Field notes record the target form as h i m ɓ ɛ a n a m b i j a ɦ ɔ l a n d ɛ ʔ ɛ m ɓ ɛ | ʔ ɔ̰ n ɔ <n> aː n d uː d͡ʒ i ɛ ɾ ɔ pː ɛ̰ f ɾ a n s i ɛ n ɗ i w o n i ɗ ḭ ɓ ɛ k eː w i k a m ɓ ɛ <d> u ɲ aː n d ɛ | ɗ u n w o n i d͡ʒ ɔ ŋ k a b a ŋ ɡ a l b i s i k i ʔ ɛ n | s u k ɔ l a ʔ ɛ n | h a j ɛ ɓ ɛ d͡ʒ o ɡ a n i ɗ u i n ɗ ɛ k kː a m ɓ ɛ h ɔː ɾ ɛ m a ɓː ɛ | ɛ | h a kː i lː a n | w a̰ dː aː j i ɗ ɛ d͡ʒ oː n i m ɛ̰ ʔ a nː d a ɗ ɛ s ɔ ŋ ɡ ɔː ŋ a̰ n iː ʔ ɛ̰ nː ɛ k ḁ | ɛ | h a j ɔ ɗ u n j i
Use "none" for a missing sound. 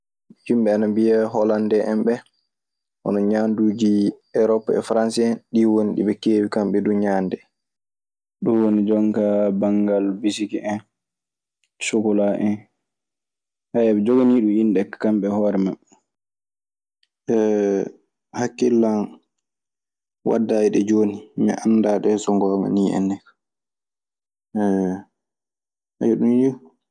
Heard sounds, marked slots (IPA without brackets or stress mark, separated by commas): ɲ, d